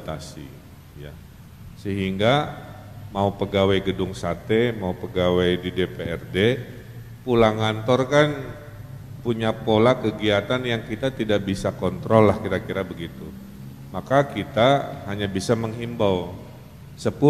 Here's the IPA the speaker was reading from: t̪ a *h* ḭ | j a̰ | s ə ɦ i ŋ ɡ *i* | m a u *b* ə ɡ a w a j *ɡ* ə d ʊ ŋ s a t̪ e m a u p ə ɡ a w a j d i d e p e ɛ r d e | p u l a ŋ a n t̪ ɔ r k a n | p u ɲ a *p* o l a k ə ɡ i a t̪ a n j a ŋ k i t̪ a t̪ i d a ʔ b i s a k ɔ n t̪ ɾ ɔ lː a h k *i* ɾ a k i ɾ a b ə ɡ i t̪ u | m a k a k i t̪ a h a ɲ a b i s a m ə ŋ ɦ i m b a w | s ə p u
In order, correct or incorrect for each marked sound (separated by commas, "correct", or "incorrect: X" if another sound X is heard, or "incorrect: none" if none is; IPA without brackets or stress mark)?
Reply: incorrect: s, incorrect: a, incorrect: p, correct, correct, correct